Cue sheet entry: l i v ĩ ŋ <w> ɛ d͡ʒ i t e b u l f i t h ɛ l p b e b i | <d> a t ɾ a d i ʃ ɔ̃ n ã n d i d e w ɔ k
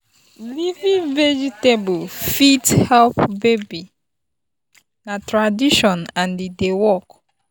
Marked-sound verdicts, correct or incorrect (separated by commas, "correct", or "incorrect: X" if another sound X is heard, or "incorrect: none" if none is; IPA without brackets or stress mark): incorrect: v, incorrect: n